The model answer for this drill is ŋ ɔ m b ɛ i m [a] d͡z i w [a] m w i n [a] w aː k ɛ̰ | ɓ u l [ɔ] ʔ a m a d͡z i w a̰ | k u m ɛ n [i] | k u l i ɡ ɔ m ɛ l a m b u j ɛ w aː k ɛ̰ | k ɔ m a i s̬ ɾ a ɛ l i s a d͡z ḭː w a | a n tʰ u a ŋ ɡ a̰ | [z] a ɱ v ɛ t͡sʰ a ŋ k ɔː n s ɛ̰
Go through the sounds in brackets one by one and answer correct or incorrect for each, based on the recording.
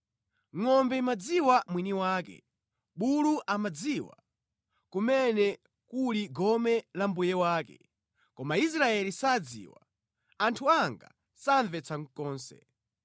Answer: correct, correct, incorrect: i, incorrect: u, incorrect: ɛ, incorrect: s

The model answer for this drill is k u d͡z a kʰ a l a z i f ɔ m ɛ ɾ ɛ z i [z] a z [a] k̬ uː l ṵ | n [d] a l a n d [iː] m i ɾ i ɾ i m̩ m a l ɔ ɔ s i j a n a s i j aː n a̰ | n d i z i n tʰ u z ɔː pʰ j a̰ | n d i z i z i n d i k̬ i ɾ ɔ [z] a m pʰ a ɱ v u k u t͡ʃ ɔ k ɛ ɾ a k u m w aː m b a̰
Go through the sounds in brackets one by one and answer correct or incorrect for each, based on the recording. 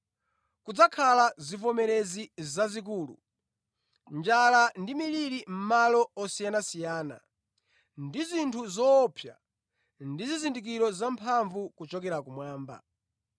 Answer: correct, incorrect: i, incorrect: d͡ʒ, incorrect: i, correct

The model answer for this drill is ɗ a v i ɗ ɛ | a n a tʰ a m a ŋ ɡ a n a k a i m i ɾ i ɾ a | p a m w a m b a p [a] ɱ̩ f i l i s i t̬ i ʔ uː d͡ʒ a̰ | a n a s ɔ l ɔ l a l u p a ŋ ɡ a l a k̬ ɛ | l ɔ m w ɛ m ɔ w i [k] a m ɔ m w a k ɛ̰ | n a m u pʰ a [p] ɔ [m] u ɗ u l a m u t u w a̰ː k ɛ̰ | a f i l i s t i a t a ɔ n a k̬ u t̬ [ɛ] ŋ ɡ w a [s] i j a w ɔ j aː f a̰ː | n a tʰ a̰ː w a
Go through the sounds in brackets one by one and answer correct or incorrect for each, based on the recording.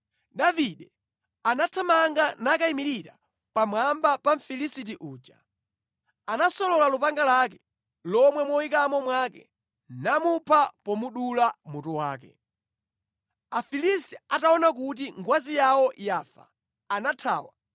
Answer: correct, correct, correct, correct, incorrect: i, incorrect: z

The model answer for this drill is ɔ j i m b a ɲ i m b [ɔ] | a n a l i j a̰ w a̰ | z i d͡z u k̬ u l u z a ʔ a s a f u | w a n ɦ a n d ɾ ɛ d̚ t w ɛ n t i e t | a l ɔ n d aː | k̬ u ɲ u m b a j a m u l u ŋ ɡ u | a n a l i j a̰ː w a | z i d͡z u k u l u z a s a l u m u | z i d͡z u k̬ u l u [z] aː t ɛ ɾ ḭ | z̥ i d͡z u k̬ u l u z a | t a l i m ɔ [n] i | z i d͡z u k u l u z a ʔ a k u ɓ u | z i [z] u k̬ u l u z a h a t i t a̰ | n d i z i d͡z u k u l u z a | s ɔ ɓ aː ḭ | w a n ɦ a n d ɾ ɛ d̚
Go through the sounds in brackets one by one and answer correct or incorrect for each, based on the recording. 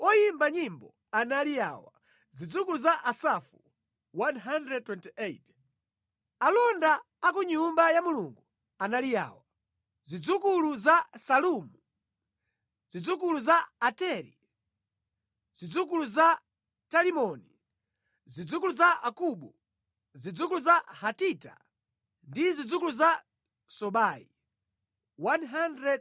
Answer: correct, correct, correct, incorrect: d͡z

